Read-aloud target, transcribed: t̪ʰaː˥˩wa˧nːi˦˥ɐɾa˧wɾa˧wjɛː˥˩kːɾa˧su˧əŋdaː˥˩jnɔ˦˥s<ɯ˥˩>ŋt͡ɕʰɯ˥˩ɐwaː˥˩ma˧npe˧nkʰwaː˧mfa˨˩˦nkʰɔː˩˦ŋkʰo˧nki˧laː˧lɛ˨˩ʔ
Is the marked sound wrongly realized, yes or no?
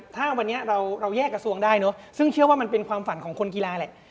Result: no